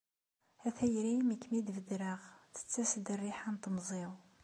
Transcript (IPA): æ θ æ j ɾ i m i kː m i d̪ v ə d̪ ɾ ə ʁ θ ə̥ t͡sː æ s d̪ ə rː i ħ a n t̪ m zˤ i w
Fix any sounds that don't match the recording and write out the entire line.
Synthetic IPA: æ θ æ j ɾ i m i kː m i d̪ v ə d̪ ɾ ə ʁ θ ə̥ t͡sː æ s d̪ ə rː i ħ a n t̪ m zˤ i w